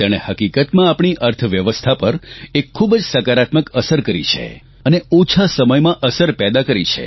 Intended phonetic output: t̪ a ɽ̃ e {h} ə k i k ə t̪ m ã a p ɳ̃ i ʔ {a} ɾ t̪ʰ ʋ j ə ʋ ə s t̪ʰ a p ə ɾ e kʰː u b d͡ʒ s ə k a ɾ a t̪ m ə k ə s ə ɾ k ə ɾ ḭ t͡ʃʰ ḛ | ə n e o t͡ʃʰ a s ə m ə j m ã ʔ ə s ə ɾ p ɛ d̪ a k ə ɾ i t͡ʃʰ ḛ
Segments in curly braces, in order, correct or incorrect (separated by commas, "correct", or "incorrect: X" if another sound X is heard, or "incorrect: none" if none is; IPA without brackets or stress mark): correct, incorrect: ə